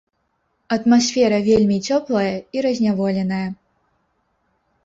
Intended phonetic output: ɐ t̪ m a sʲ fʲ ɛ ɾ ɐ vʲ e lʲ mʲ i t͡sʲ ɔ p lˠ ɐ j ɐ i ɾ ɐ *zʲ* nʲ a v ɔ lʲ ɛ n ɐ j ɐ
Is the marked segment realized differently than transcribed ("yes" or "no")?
no